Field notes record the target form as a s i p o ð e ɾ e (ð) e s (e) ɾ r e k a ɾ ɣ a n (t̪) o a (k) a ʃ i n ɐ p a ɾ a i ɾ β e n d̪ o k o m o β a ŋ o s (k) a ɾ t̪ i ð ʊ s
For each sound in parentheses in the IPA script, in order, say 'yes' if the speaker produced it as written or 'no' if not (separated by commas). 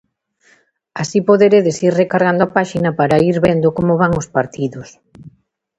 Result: yes, no, no, no, no